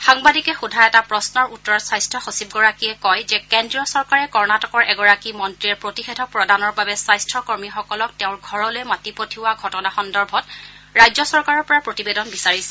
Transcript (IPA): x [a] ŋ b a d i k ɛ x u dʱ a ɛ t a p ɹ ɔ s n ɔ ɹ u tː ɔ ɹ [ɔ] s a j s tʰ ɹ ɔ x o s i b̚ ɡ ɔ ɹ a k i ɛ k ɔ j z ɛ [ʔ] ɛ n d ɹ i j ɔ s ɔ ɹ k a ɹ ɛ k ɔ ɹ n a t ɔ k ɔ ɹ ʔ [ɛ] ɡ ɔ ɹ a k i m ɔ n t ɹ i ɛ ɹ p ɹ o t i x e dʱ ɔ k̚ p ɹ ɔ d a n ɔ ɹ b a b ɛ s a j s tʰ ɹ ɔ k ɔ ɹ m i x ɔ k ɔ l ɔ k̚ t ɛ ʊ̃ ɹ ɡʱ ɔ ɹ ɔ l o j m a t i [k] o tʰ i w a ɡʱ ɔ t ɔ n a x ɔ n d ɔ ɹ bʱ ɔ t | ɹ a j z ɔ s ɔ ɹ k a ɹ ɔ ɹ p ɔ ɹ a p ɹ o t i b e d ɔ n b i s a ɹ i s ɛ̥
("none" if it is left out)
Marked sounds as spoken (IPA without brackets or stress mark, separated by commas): a, ɔ, k, ɛ, p